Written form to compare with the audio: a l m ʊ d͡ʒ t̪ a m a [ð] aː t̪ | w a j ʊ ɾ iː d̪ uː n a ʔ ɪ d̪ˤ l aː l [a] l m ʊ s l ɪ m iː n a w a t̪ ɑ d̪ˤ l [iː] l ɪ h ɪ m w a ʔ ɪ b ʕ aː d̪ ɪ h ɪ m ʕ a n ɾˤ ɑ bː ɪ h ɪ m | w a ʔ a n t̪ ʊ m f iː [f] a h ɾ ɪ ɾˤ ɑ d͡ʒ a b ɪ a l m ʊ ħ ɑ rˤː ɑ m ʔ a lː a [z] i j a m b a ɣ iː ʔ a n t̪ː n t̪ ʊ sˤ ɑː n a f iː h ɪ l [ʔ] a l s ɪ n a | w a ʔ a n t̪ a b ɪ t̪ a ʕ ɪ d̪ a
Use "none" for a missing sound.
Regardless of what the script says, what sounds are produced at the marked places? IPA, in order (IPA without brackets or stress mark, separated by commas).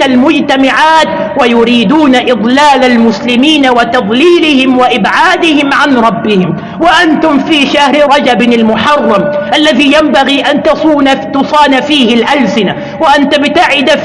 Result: ʕ, a, iː, ʃ, ð, ʔ